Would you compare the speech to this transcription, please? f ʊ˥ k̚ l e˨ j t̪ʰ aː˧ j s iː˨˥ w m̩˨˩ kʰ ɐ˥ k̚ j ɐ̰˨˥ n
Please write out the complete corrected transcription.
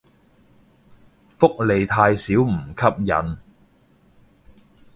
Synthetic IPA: f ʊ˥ k̚ l e˨ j t̪ʰ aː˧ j s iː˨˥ w m̩˨˩ kʰ ɐ˥ p̚ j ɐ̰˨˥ n